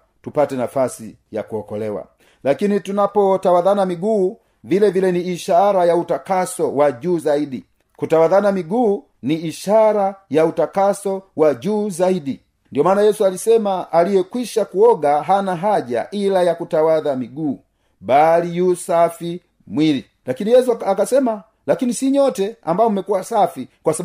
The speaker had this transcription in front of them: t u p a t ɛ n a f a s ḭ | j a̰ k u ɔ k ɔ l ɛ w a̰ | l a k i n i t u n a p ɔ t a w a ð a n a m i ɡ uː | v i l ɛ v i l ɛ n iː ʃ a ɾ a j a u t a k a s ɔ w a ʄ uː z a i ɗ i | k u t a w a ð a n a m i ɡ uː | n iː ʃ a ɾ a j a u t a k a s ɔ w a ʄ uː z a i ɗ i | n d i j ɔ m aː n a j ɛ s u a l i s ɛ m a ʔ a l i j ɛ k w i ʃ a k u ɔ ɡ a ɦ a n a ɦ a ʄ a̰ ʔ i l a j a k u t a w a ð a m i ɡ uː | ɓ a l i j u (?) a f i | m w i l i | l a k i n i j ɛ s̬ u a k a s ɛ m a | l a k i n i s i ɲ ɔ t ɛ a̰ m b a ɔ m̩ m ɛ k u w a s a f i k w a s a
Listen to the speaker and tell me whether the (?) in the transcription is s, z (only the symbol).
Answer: s